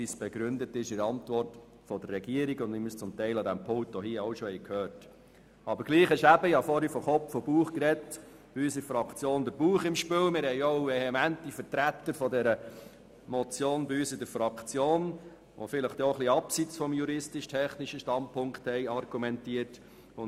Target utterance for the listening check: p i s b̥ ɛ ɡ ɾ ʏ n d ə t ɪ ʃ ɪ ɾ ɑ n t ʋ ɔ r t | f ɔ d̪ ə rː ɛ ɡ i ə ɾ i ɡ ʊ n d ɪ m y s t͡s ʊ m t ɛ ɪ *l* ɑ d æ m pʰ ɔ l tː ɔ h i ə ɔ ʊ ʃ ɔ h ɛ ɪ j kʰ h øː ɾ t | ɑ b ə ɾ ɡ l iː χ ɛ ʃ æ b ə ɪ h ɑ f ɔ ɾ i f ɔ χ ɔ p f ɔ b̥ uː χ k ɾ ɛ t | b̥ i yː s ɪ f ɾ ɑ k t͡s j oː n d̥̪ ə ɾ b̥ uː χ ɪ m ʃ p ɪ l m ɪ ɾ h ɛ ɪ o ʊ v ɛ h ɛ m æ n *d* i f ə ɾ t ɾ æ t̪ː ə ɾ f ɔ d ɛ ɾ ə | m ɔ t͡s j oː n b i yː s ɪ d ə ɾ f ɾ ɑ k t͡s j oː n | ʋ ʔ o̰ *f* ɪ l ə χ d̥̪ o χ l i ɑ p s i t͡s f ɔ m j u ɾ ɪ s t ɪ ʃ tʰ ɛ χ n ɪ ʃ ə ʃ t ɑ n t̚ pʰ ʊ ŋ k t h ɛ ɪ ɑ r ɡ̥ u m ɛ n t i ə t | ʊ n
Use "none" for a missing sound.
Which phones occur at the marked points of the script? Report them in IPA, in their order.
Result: l, t, f

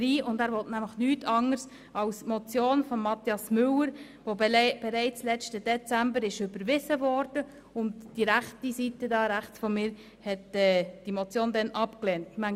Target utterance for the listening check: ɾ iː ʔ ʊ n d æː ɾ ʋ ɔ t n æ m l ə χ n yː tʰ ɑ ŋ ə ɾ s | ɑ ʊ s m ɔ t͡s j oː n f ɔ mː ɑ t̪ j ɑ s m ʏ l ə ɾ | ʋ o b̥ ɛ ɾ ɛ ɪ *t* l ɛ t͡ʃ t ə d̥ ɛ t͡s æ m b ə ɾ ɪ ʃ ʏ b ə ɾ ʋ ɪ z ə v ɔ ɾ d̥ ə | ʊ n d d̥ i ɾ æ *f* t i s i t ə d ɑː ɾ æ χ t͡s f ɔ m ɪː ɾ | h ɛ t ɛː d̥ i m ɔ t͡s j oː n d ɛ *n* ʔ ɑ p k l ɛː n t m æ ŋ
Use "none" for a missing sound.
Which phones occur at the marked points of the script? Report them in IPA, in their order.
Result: t͡s, χ, n

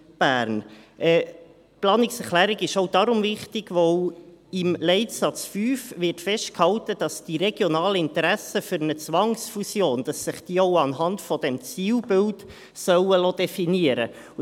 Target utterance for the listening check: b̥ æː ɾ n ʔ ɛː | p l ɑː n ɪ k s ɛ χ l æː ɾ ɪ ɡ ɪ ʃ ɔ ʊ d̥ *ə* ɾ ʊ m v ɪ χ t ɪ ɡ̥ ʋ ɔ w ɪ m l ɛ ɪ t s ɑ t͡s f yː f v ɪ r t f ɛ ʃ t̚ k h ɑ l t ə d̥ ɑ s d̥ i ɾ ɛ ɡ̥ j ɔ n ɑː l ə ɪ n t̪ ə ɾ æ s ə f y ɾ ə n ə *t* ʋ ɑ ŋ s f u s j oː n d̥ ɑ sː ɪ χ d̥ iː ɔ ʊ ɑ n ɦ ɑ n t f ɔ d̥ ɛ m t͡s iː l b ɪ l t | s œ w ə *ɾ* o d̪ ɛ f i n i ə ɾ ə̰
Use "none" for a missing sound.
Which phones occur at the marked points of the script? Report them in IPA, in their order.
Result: ɑ, t͡s, l

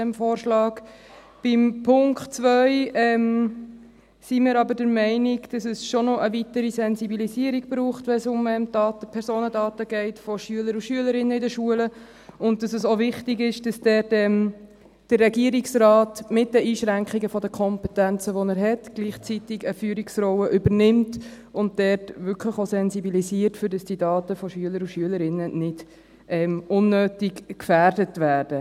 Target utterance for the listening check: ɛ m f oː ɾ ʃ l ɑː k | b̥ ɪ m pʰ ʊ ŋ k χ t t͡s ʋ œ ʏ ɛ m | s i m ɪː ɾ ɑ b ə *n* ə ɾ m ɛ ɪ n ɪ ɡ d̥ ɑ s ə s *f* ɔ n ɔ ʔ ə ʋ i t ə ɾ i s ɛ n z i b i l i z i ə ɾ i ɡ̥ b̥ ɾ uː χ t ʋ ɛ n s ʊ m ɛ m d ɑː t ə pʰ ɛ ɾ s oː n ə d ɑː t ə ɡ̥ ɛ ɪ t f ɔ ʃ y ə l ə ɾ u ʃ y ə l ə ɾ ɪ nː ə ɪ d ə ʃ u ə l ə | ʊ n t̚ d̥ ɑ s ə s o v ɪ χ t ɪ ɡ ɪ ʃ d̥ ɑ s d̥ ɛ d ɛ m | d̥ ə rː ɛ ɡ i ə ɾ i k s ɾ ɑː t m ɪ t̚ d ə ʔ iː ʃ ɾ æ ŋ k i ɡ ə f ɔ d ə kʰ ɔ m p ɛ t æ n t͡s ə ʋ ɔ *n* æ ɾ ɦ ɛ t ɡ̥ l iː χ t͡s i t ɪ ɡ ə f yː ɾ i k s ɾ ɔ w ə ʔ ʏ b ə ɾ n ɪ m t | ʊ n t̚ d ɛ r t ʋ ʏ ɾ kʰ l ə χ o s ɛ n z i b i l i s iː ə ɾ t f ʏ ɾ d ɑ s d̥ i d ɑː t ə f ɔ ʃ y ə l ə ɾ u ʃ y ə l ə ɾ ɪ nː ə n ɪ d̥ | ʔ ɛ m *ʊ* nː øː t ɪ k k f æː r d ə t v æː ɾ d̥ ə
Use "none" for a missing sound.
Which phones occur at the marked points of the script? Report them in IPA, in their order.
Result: d, ʃ, n, ʊ

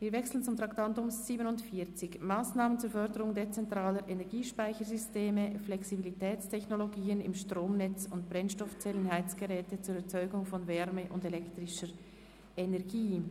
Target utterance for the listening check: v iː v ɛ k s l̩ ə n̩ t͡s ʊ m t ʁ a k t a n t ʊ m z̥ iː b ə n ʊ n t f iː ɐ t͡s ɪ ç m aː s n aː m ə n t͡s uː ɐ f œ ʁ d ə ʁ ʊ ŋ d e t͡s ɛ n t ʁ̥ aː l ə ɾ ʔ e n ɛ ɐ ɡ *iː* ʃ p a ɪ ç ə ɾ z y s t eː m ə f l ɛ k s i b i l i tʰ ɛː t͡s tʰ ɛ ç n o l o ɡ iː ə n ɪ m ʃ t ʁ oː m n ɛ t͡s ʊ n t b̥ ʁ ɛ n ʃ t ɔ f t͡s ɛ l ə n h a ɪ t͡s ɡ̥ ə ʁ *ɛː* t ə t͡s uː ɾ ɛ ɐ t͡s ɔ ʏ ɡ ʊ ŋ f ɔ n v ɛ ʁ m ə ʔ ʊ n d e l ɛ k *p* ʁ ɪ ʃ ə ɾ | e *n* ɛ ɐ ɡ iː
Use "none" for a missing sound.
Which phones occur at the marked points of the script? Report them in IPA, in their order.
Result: iː, ɛː, t, n

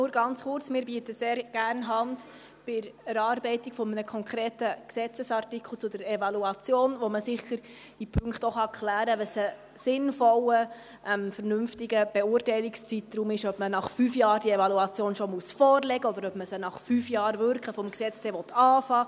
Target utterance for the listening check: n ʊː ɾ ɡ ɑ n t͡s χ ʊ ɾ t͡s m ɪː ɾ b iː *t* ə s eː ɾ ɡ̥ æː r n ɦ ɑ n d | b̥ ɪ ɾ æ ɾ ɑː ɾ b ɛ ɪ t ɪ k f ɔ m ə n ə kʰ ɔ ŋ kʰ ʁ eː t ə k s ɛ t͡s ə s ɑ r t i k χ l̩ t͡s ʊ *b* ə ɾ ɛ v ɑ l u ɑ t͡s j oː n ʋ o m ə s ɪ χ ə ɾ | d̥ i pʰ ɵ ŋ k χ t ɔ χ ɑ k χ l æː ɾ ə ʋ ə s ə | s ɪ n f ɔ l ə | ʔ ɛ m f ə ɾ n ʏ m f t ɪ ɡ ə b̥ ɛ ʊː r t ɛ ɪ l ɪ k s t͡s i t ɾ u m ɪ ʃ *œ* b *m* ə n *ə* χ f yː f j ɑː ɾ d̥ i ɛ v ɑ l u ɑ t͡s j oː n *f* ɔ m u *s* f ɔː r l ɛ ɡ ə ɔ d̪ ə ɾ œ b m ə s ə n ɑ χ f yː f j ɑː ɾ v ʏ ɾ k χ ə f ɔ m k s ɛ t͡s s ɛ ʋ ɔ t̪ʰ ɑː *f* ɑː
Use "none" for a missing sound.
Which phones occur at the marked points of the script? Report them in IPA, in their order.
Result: t, d, œ, m, ɑ, ʃ, s, f

